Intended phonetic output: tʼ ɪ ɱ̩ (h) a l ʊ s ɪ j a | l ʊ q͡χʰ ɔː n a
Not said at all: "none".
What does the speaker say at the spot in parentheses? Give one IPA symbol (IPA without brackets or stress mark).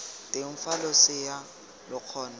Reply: f